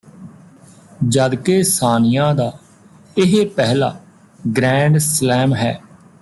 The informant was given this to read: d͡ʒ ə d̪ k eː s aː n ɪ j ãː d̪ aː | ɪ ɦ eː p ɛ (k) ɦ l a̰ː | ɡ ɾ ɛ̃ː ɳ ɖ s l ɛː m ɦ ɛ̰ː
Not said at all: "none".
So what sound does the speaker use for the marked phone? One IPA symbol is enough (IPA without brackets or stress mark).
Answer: none